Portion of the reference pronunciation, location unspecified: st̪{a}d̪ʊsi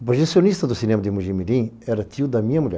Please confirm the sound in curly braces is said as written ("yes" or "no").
no